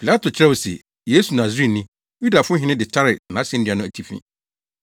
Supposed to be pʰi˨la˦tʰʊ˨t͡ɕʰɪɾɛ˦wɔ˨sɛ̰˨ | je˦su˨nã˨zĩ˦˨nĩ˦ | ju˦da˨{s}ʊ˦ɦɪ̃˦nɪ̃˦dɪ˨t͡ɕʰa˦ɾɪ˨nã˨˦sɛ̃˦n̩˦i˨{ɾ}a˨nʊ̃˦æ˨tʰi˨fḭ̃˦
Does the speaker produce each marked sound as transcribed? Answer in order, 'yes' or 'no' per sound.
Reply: no, no

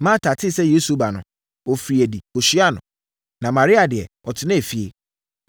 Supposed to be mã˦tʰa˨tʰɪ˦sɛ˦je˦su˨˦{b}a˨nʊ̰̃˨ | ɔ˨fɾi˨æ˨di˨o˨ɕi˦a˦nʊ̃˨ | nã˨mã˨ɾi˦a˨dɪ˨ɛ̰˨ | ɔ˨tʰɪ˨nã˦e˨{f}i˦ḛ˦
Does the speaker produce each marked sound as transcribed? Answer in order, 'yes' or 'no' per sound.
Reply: yes, yes

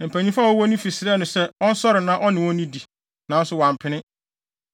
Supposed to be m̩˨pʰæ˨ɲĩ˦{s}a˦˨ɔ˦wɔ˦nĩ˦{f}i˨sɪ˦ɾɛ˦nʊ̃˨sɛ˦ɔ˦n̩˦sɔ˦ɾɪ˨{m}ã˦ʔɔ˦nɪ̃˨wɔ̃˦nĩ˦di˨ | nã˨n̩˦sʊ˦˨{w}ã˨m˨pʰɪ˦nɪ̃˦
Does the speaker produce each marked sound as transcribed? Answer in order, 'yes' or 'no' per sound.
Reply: no, yes, no, yes

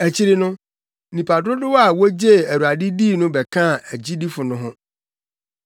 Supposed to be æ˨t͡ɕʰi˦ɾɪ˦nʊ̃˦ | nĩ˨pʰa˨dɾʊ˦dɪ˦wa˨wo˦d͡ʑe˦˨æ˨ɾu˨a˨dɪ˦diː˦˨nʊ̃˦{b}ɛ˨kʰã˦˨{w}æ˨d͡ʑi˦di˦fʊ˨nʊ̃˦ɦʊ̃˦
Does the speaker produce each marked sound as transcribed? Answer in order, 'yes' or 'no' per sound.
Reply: yes, no

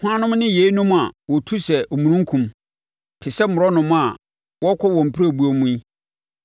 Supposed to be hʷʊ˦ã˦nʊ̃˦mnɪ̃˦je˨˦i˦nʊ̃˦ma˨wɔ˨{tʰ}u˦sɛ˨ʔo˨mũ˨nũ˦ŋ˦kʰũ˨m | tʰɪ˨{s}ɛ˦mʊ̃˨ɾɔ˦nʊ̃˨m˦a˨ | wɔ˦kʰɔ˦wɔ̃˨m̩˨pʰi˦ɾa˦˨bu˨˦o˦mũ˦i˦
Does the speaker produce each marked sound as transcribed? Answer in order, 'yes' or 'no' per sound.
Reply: yes, yes

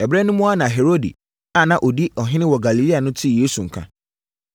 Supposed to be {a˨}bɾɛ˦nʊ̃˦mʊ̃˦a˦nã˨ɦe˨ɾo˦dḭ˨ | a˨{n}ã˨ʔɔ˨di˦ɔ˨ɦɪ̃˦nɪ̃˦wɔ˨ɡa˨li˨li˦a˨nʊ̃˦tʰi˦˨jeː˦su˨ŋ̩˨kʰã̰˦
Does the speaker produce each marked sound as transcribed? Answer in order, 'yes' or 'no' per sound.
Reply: no, yes

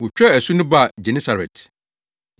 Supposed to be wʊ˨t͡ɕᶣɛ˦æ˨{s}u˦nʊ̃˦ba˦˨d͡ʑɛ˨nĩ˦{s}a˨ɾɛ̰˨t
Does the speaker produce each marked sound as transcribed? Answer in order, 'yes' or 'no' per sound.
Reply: yes, yes

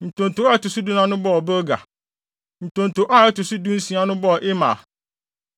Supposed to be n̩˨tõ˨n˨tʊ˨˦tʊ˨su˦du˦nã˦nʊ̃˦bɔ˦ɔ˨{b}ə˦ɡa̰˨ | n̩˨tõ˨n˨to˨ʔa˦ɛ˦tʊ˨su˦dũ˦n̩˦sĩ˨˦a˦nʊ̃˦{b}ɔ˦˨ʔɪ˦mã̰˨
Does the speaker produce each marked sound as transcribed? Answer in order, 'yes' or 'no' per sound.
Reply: yes, yes

